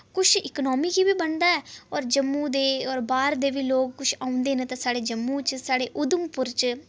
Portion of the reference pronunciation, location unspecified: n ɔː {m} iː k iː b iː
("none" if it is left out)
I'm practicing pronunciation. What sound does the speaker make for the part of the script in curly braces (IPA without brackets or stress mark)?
m